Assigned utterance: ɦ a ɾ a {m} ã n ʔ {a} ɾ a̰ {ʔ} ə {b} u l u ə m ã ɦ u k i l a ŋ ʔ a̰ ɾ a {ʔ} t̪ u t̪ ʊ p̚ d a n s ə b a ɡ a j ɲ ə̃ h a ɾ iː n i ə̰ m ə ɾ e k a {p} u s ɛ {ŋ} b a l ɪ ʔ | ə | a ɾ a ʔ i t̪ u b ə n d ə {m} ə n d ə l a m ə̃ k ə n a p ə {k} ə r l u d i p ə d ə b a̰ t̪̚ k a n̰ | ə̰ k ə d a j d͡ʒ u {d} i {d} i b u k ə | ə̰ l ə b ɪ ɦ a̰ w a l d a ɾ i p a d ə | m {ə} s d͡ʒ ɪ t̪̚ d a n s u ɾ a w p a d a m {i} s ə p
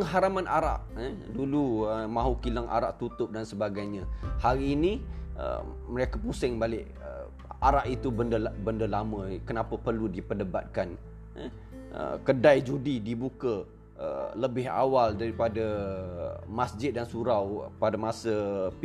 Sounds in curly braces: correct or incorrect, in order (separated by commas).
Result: correct, correct, correct, incorrect, correct, correct, correct, incorrect, incorrect, correct, correct, incorrect, incorrect